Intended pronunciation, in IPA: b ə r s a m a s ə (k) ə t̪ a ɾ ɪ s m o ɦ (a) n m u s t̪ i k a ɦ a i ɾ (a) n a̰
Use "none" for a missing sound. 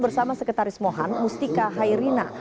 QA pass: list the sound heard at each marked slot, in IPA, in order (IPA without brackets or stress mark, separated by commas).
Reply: k, a, i